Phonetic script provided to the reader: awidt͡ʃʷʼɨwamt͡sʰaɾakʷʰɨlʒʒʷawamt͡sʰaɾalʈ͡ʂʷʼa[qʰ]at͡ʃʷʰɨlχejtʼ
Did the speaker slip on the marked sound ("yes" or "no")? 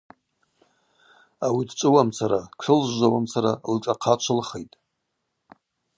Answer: no